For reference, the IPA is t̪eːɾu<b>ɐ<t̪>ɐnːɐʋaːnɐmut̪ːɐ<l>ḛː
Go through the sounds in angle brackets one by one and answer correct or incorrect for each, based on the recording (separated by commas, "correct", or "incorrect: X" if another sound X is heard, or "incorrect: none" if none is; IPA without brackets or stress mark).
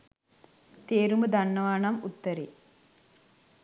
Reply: incorrect: m, incorrect: d̪, incorrect: ɾ